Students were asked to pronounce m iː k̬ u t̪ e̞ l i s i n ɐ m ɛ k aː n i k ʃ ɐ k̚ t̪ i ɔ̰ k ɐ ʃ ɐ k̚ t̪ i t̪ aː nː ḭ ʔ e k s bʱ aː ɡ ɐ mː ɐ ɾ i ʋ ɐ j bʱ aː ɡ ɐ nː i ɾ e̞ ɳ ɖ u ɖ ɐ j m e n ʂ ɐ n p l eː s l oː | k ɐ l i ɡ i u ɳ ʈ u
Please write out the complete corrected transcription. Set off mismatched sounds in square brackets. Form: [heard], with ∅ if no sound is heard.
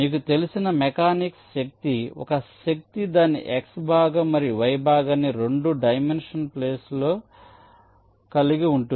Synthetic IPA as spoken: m iː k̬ u t̪ e̞ l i s i n ɐ m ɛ k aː n i k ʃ ɐ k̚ t̪ i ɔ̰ k ɐ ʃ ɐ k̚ t̪ i [d̪] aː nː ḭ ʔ e k s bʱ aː ɡ ɐ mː ɐ ɾ i ʋ ɐ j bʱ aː ɡ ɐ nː i ɾ e̞ ɳ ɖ u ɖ ɐ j m e n ʂ ɐ n p l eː s l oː | k ɐ l i ɡ i u ɳ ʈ u